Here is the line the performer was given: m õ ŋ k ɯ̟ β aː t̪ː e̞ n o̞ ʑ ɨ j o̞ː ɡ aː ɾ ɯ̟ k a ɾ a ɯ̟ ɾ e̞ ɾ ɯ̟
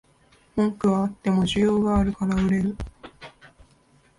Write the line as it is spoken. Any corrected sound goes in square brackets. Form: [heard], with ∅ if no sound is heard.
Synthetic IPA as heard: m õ ŋ k ɯ̟ β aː t̪ː e̞ [m] o̞ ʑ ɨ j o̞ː ɡ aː ɾ ɯ̟ k a ɾ a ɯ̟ ɾ e̞ ɾ ɯ̟